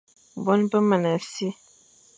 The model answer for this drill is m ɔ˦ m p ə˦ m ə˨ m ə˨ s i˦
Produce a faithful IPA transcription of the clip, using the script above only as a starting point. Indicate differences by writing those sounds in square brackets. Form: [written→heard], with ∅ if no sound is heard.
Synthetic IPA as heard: [m→b] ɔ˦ [m→n] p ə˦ m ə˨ [m→n] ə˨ s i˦